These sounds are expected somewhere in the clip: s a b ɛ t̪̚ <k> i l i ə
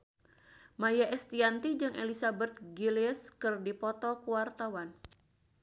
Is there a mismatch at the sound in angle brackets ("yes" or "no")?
yes